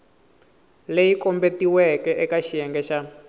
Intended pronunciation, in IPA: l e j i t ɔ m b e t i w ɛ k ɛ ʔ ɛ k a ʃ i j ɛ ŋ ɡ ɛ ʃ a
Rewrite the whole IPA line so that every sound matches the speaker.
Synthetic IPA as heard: l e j i k ɔ m b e t i w ɛ k ɛ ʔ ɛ k a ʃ i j ɛ ŋ ɡ ɛ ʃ a

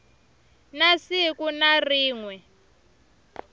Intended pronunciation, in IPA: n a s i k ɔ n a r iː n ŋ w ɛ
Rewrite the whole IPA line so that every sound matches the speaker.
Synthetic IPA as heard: n a s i k u n a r iː ŋ w ɛ

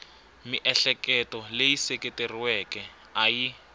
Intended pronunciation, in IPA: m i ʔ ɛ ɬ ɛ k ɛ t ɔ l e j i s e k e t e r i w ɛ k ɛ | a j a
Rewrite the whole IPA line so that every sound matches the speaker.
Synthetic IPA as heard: m i ʔ ɛ ɬ ɛ k ɛ t ɔ l e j i s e k e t e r i w ɛ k ɛ | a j i

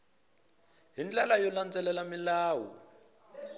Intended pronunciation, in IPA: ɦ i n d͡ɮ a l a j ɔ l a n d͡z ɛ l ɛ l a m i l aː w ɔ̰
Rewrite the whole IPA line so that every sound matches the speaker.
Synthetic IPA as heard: ɦ i n d͡ɮ a l a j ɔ l a n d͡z ɛ l ɛ l a m i l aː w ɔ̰

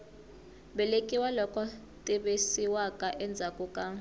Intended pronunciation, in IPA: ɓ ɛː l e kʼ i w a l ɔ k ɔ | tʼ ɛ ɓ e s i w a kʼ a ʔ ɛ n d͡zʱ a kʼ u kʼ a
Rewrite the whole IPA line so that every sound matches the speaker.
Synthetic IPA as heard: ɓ ɛ l e kʼ i w a l ɔ k ɔ | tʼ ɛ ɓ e s i w a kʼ a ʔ ɛ n d͡zʱ a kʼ u kʼ a

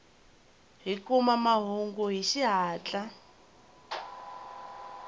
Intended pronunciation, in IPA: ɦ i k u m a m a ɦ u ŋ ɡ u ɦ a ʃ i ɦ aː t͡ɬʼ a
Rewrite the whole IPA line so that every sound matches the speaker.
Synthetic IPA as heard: ɦ i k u m a m a ɦ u ŋ ɡ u ɦ i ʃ i ɦ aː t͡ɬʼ a

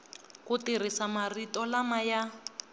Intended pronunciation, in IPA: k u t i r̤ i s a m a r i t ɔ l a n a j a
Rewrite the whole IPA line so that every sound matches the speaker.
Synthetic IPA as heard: k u t i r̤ i s a m a r i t ɔ l a m a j a

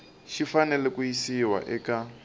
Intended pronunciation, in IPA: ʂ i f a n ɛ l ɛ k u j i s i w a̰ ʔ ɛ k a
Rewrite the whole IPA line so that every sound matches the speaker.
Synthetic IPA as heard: ʃ i f a n ɛ l ɛ k u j i s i w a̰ ʔ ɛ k a

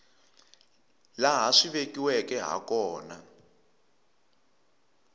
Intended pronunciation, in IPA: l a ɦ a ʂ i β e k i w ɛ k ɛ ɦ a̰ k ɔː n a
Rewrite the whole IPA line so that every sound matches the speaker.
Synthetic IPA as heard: l a ɦ a ʂ i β e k i w ɛ k ɛ ɦ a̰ k ɔː n a

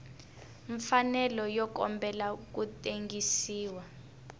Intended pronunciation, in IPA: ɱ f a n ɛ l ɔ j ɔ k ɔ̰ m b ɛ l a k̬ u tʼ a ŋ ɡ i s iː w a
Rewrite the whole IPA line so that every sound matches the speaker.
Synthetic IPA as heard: ɱ f a n ɛ l ɔ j ɔ k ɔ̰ m b ɛ l a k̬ u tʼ e ŋ ɡ i s iː w a

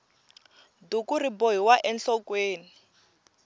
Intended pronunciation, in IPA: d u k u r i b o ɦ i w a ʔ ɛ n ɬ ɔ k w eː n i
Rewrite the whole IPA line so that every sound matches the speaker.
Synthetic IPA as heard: d u k u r i b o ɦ i w a ʔ ɛ n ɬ ɔ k w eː n i

